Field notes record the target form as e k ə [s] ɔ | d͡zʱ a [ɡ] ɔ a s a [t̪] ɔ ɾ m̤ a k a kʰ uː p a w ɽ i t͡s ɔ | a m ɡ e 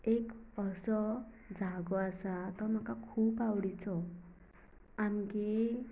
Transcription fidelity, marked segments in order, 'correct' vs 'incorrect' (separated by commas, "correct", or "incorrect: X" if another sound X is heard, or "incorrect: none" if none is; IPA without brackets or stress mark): correct, correct, correct